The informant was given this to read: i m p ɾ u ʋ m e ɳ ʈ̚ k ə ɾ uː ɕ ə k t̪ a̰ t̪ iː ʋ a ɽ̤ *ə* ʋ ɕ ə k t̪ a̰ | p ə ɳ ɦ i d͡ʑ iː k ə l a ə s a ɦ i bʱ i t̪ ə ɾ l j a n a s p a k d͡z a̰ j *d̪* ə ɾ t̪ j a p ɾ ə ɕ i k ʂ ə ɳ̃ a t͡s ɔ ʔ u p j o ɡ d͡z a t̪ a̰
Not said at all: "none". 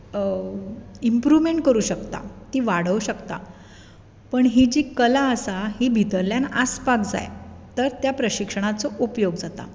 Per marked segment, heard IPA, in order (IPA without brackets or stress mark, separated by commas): ə, t̪